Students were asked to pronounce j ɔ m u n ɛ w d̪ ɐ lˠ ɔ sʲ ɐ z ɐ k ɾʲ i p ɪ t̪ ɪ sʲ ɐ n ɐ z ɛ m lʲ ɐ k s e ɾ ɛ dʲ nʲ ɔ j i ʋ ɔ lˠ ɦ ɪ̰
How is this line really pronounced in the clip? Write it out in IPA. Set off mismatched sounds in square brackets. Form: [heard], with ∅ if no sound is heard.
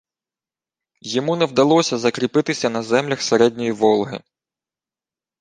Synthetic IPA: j ɔ m u n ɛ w d̪ ɐ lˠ ɔ sʲ ɐ z ɐ k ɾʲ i p ɪ t̪ ɪ sʲ ɐ n ɐ z ɛ m lʲ ɐ [x] s e ɾ ɛ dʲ nʲ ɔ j i ʋ ɔ lˠ ɦ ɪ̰